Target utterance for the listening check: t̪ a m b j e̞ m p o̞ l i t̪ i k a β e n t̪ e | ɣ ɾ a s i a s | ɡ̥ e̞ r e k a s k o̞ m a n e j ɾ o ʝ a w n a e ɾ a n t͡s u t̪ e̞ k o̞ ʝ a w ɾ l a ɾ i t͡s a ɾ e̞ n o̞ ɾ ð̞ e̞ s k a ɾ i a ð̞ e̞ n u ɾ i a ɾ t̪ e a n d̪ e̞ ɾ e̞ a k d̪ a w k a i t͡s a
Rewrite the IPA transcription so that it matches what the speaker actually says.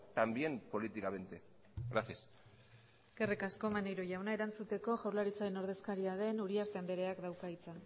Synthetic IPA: t̪ a m b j e̞ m p o̞ l i t̪ i k a β e n t̪ e | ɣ ɾ a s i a s | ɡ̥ e̞ r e k a s k o̞ m a n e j ɾ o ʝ a w n a e ɾ a n t͡s u t̪ e̞ k o̞ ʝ a w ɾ l a ɾ i t͡s a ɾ e̞ n o̞ ɾ ð̞ e̞ s k a ɾ i a ð̞ e̞ n u ɾ i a ɾ t̪ e a n d̪ e̞ ɾ e̞ a k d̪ a w k a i t͡s a